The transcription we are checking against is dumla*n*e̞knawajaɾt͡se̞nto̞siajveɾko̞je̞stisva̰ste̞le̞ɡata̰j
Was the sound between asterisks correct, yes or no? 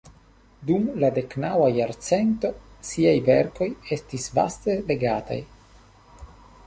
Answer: no